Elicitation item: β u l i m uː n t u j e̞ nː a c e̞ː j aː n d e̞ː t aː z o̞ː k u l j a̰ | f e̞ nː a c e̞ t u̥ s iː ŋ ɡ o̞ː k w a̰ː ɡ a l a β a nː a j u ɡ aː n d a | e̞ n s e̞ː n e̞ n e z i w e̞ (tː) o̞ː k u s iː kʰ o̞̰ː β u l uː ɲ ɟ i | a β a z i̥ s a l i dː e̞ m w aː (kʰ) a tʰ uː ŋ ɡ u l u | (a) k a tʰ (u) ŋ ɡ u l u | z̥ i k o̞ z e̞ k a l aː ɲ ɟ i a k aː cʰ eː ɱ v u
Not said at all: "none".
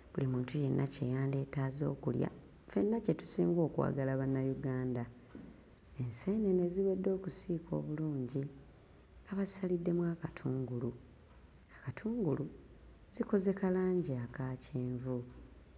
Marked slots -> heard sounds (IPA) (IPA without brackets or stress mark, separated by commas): dː, k, a, uː